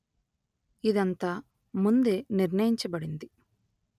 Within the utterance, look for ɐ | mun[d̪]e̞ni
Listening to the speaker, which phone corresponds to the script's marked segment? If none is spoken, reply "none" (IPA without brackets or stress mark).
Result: d̪